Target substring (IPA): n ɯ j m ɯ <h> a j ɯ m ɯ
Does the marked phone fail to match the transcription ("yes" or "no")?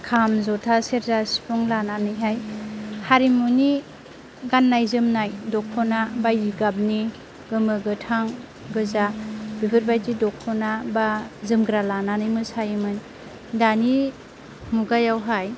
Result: yes